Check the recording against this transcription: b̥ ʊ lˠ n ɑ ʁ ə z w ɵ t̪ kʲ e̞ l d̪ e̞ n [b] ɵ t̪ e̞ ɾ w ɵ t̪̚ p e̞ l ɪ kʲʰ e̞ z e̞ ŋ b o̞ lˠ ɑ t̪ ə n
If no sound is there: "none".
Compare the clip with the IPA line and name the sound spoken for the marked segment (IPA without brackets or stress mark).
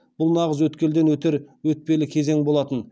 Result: w